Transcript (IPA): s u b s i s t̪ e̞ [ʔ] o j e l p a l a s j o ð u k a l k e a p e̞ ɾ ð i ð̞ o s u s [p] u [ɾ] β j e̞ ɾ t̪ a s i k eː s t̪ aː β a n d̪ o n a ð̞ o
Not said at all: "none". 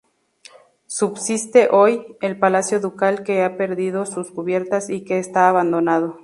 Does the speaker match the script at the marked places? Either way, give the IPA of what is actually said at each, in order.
ʔ, k, none

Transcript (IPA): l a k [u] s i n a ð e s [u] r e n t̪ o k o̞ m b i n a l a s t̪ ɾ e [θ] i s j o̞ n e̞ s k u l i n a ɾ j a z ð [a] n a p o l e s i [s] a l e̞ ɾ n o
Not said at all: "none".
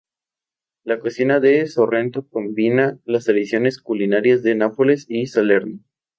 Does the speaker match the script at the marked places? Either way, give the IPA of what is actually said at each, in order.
o, o, ð, e, s

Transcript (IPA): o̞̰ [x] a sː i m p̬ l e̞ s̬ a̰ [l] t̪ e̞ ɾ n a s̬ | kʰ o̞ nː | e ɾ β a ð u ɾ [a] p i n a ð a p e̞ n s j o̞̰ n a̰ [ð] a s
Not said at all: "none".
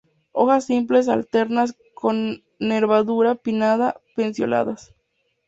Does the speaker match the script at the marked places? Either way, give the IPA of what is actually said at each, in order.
x, l, a, ð

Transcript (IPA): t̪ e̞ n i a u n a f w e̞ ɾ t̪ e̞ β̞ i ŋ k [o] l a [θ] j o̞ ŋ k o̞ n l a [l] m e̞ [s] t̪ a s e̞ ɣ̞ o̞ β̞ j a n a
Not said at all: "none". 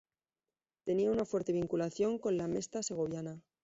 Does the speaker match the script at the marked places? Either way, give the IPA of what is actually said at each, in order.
u, θ, none, s

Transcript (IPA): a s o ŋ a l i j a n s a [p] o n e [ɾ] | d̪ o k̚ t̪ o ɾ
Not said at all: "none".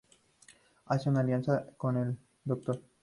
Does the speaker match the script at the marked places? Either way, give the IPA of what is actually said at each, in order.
k, l

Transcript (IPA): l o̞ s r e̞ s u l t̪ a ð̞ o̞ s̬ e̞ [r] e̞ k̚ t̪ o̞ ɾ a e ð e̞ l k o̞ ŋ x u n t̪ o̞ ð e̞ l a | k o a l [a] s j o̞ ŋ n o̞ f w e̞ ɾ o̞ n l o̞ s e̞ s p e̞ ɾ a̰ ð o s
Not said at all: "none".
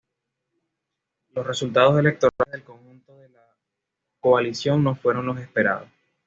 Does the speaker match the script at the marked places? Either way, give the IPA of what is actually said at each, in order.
l, i

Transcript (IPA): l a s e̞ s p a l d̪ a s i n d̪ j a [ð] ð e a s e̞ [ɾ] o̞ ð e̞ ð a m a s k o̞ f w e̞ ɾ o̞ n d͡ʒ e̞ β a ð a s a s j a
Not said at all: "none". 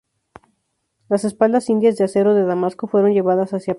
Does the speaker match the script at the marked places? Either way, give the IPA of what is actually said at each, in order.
z, ɾ

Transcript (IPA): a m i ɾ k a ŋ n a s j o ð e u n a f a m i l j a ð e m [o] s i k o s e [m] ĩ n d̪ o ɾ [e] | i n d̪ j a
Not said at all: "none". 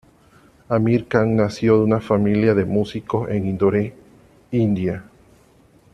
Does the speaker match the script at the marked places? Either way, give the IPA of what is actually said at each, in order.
u, ŋ, e

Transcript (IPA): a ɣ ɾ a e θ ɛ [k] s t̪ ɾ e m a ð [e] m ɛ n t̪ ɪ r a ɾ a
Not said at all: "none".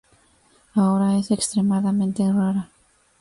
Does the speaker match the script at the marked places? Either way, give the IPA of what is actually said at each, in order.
k, a

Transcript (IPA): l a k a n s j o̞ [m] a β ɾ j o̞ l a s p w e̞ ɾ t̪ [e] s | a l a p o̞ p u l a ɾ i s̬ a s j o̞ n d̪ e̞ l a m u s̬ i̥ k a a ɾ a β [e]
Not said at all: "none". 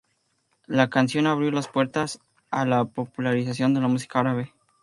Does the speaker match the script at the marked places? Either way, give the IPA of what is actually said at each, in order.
n, a, e

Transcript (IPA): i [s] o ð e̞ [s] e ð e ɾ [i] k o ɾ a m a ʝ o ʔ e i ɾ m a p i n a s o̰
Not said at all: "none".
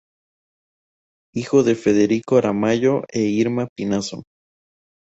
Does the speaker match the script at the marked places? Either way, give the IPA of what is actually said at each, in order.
x, f, i

